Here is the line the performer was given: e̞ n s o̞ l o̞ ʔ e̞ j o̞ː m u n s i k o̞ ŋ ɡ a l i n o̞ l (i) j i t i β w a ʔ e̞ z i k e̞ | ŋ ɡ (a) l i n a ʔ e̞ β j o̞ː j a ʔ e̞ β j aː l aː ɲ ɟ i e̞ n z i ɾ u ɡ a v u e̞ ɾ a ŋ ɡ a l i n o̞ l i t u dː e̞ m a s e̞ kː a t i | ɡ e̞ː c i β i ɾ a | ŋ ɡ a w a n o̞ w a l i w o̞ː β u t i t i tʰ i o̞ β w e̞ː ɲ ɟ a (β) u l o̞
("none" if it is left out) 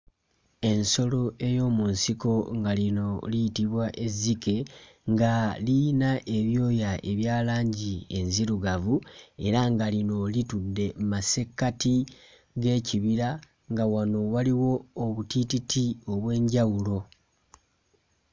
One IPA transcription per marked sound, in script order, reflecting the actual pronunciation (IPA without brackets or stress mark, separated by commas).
i, a, w